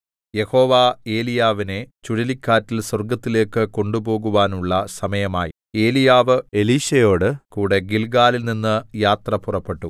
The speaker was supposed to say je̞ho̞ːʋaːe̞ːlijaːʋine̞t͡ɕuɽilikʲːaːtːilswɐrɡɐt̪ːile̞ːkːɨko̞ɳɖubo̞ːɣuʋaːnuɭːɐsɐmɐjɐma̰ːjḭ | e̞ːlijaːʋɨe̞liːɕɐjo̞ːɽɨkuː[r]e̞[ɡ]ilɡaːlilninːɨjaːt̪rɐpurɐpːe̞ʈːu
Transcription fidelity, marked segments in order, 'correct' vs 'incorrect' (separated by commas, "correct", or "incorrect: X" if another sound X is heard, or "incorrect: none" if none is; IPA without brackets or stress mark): incorrect: ɽ, correct